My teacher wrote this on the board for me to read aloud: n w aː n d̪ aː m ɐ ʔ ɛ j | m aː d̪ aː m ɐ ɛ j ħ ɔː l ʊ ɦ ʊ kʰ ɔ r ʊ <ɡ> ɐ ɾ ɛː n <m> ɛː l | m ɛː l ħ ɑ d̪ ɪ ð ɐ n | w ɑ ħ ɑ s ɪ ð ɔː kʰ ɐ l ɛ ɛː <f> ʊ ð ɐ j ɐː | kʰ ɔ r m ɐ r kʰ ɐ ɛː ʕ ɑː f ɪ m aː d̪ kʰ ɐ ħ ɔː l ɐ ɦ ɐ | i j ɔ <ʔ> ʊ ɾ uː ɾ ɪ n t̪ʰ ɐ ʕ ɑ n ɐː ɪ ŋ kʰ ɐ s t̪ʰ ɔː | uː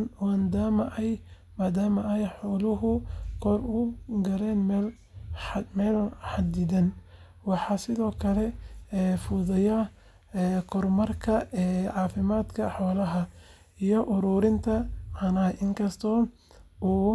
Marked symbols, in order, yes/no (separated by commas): yes, yes, yes, yes